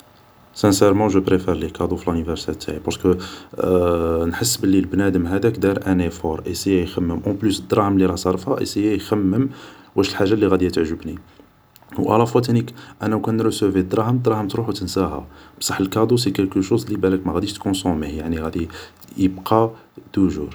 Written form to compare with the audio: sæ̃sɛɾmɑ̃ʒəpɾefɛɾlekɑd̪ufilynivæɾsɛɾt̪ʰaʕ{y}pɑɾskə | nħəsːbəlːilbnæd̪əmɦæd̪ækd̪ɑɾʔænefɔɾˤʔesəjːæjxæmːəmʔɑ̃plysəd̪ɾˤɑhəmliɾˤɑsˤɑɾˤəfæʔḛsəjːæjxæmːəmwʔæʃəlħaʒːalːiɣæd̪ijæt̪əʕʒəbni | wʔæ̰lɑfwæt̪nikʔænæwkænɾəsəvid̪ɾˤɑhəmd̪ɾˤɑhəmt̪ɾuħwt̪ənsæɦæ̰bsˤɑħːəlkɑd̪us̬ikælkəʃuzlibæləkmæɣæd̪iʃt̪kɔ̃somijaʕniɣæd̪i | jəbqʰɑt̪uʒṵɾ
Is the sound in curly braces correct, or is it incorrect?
incorrect